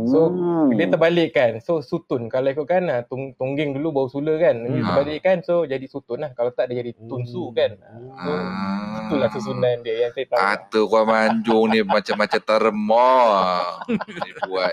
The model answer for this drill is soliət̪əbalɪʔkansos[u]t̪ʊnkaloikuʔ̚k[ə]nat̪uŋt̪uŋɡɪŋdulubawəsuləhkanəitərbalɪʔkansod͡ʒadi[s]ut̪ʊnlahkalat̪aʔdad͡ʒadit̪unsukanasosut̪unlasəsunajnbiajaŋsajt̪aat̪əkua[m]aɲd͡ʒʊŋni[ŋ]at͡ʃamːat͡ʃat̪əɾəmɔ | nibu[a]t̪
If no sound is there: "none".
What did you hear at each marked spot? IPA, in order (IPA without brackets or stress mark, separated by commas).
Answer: u, a, s, m, m, a